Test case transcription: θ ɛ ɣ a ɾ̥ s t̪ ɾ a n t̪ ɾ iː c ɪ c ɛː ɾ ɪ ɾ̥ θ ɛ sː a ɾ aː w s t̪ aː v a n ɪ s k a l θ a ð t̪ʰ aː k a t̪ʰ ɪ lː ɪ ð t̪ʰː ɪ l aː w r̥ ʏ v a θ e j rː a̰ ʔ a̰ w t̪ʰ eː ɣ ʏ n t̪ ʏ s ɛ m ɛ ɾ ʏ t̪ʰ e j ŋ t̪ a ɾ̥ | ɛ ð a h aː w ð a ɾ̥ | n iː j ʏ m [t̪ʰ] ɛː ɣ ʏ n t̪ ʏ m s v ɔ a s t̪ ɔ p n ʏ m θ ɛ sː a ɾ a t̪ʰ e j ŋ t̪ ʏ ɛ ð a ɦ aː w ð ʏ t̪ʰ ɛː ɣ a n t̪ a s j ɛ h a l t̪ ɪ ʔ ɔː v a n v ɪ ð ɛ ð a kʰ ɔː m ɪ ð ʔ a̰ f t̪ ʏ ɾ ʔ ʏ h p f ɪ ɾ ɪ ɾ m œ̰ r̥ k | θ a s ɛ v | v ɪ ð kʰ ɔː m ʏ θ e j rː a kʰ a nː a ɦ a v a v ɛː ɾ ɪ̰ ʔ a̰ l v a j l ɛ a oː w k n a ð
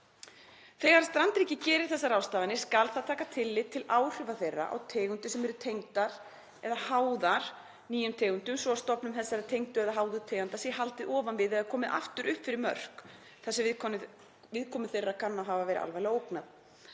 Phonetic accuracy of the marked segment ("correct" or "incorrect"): correct